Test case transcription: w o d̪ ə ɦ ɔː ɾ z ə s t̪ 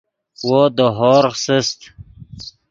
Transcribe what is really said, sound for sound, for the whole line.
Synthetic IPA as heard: w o d̪ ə ɦ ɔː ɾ s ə s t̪